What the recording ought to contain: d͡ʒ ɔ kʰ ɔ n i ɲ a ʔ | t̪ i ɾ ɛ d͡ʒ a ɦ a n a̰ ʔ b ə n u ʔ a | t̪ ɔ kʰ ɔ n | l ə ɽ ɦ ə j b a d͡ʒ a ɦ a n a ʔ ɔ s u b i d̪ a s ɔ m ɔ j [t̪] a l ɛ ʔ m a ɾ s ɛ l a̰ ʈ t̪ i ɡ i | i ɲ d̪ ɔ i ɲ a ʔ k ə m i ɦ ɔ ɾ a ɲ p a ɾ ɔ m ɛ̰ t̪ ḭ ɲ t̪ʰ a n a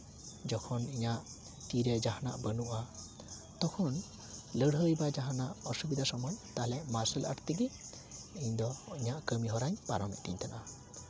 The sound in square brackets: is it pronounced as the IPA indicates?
yes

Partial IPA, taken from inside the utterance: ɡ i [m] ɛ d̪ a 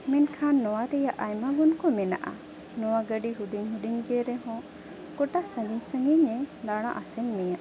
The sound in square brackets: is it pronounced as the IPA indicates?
no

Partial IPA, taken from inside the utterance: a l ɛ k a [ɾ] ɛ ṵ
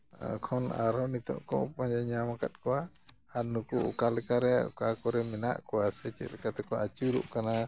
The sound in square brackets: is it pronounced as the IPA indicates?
yes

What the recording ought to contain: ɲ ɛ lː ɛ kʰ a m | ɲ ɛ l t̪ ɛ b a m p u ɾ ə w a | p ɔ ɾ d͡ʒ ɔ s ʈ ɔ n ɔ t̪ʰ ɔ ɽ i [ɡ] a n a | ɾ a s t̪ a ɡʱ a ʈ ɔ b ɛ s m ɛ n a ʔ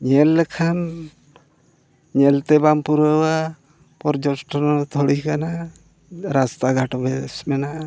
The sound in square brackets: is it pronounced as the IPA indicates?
no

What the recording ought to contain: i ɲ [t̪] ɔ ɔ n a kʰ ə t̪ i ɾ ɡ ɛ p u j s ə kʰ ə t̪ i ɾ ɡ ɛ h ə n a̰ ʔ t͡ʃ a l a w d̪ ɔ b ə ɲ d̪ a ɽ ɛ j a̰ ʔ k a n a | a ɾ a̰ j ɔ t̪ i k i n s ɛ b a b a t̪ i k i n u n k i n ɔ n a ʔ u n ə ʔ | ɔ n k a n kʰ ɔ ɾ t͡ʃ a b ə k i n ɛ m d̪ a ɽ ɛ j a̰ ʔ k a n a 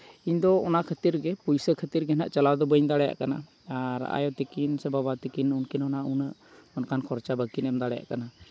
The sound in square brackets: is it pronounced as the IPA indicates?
no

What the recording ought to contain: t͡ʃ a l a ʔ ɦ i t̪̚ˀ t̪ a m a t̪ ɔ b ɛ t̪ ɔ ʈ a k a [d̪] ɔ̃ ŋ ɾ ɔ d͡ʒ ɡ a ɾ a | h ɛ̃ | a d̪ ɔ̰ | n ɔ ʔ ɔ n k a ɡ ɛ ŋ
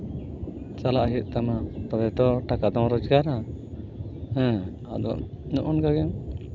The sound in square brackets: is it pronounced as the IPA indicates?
yes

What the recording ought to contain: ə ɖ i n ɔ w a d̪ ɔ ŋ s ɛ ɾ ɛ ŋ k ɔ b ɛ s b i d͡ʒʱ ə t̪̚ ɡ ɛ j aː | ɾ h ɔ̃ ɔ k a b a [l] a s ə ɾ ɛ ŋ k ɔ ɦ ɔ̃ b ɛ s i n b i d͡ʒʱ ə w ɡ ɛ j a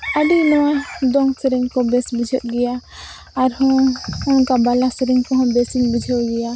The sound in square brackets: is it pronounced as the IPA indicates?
yes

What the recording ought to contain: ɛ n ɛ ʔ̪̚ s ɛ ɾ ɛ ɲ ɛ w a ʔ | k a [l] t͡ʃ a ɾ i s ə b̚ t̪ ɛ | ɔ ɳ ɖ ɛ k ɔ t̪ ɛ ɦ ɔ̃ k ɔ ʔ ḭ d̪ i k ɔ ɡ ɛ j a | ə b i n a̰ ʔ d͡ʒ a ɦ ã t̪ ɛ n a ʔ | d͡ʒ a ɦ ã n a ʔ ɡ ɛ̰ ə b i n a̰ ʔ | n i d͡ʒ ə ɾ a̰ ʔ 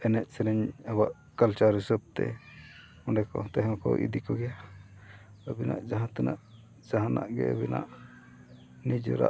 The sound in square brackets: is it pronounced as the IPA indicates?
yes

